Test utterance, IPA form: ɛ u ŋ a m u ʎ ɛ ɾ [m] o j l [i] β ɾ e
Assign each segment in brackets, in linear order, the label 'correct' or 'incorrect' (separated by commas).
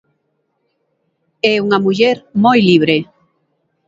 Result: correct, correct